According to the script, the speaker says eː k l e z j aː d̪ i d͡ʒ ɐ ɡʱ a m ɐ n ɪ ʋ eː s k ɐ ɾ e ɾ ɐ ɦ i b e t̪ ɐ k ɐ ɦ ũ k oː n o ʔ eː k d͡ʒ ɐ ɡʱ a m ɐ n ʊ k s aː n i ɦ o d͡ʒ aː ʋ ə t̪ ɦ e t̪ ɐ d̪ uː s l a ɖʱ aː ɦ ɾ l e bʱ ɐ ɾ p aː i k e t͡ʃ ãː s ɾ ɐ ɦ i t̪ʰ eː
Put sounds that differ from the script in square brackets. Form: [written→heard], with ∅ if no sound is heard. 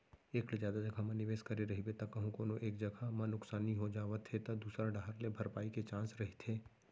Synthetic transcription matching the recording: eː k l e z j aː d̪ [i→a] d͡ʒ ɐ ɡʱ a m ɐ n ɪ ʋ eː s k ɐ ɾ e ɾ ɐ ɦ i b e t̪ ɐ k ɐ ɦ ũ k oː n o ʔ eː k d͡ʒ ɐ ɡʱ a m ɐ n ʊ k s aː n i ɦ o d͡ʒ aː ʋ ə t̪ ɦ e t̪ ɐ d̪ uː s [l→ɾ] a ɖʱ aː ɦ ɾ l e bʱ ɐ ɾ p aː i k e t͡ʃ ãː s ɾ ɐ ɦ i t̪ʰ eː

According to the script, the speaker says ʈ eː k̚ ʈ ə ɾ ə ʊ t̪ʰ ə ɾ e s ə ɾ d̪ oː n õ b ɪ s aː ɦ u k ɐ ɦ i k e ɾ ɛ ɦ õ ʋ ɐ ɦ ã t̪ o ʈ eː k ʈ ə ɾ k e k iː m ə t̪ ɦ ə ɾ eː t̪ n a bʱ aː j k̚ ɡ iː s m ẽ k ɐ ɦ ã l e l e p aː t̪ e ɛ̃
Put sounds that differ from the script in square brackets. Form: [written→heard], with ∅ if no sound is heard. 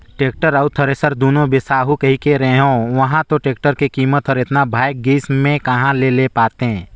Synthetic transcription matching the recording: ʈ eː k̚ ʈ ə ɾ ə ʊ t̪ʰ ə ɾ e s ə ɾ d̪ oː n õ b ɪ s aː ɦ u k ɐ ɦ i k e ɾ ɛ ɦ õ ʋ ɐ ɦ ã t̪ o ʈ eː k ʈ ə ɾ k e k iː m ə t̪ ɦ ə ɾ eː t̪ n a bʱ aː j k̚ ɡ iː s m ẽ k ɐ ɦ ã l e l e p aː t̪ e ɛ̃

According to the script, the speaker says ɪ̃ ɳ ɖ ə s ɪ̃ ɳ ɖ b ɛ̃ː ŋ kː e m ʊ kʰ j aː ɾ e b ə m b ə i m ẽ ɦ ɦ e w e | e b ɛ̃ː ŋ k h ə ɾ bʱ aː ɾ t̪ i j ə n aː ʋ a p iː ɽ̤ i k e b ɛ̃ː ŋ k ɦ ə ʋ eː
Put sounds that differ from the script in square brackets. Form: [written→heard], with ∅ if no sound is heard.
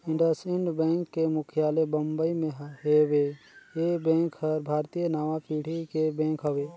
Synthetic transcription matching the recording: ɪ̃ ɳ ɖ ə s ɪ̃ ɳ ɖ b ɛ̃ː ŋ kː e m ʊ kʰ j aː [ɾ→l] e b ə m b ə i m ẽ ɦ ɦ e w e | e b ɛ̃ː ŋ k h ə ɾ bʱ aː ɾ t̪ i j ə n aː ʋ a p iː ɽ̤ i k e b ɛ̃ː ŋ k ɦ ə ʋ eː

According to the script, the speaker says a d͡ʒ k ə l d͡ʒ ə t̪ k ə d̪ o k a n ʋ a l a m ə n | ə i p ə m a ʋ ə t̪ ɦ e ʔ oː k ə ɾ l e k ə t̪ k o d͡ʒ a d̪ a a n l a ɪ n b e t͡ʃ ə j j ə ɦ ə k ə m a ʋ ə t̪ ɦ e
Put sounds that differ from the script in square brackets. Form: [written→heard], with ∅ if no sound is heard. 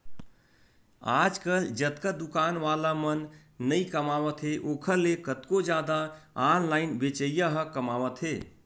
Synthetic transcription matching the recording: a d͡ʒ k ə l d͡ʒ ə t̪ k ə d̪ [o→u] k a n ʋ a l a m ə [n→nː] | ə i [p→k] ə m a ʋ ə t̪ ɦ e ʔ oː [k→kʰ] ə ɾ l e k ə t̪ k o d͡ʒ a d̪ a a n l a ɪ n b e t͡ʃ ə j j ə ɦ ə k ə m a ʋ ə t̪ ɦ e

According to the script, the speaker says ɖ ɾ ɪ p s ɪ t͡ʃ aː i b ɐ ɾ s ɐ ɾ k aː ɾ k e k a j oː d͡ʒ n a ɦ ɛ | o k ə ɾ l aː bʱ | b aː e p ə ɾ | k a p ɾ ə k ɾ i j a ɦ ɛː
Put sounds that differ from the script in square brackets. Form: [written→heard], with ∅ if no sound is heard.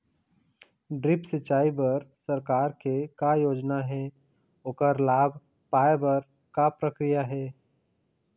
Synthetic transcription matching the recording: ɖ ɾ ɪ p s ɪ t͡ʃ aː i b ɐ ɾ s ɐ ɾ k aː ɾ k e k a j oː d͡ʒ n a ɦ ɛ | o k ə ɾ l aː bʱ | [b→p] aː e [p→b] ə ɾ | k a p ɾ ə k ɾ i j a ɦ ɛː

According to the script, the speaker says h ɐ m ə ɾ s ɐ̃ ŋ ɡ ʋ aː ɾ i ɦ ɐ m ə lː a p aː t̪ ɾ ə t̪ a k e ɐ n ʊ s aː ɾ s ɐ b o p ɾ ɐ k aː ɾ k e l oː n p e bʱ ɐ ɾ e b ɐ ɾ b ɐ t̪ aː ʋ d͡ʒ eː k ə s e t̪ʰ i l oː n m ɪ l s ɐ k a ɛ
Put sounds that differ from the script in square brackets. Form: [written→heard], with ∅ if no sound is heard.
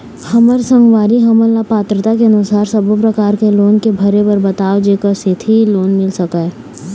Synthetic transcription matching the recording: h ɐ m ə ɾ s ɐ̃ ŋ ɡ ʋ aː ɾ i ɦ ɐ m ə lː a p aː t̪ ɾ ə t̪ a k e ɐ n ʊ s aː ɾ s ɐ b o p ɾ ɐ k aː ɾ k e l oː n [p→k] e bʱ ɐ ɾ e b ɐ ɾ b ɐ t̪ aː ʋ d͡ʒ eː k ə s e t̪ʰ i l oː n m ɪ l s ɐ k a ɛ

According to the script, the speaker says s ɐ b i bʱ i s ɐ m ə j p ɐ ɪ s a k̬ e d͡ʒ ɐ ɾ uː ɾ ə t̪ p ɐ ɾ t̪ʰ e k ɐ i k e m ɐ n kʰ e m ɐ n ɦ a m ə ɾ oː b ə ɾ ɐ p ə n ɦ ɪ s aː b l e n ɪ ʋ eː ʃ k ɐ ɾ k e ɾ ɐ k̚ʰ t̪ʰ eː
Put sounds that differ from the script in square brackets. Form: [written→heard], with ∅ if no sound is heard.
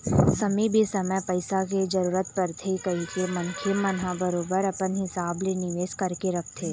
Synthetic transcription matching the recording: s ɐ [b→m] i bʱ i s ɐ m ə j p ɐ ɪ s a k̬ e d͡ʒ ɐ ɾ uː ɾ ə t̪ p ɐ ɾ t̪ʰ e k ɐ i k e m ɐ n kʰ e m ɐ n ɦ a [m→b] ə ɾ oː b ə ɾ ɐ p ə n ɦ ɪ s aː b l e n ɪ ʋ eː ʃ k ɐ ɾ k e ɾ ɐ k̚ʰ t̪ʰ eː

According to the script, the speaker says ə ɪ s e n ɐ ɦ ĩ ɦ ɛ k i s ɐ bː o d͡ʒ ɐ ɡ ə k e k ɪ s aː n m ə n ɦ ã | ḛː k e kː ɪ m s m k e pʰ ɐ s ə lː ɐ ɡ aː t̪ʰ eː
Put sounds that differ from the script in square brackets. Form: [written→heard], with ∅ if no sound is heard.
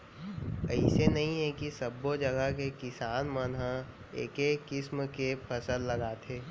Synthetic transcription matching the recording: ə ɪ s e n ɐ ɦ ĩ ɦ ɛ k i s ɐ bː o d͡ʒ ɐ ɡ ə k e k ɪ s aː n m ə n ɦ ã | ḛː k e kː ɪ [m→∅] s m k e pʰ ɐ s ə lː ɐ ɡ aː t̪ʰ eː

